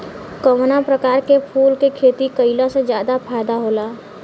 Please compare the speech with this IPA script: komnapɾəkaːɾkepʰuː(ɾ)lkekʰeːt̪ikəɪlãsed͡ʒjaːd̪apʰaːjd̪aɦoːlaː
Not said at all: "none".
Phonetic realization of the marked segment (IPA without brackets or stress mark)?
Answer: none